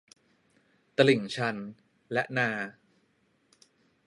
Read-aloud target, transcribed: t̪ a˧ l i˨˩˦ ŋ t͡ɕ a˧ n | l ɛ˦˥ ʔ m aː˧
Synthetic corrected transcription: t̪ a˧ l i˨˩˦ ŋ t͡ɕʰ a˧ n | l ɛ˦˥ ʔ n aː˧